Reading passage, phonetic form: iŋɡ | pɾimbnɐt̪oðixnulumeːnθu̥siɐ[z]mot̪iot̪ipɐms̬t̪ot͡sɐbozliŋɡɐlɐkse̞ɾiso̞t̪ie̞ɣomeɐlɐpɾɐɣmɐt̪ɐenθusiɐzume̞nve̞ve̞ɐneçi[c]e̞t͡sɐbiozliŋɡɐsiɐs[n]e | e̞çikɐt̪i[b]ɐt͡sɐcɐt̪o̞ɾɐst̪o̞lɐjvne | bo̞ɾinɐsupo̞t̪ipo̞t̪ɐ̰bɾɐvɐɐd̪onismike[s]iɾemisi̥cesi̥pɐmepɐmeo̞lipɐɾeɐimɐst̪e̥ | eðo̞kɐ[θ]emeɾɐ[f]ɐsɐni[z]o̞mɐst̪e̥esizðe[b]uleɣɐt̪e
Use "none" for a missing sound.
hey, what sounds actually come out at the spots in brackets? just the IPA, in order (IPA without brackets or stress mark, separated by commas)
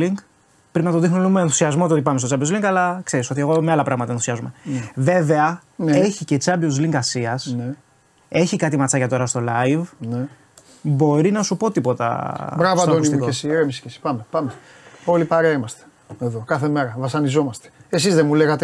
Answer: z, c, n, m, s, θ, v, z, m